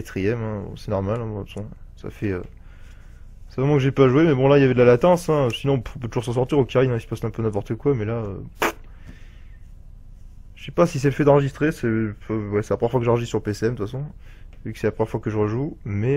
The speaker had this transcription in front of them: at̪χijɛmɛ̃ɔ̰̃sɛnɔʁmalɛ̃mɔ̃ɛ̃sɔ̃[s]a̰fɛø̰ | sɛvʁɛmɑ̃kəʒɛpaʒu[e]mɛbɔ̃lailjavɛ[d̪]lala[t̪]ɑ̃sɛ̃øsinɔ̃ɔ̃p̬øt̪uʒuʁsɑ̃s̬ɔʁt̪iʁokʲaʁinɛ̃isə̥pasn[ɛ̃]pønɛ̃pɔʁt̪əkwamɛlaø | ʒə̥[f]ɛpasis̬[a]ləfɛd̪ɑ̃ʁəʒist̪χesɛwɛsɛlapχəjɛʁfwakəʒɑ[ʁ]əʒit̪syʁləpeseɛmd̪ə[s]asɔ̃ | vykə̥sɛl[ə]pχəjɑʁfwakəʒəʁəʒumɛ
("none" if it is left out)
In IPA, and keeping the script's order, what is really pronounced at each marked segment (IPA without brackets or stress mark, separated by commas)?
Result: s, e, d̪, t̪, ɛ̃, s, ɛ, ʁ, f, a